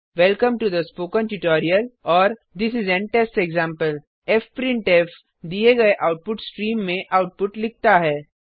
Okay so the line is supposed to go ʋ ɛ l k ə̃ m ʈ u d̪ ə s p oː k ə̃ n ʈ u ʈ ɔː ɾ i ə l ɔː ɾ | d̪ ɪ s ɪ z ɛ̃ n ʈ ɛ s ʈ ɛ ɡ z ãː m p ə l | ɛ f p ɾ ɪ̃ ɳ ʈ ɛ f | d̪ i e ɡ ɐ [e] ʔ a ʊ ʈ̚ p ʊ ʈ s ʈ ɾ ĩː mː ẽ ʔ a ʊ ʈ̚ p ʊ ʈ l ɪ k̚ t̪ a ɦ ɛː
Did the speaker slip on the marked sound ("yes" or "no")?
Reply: no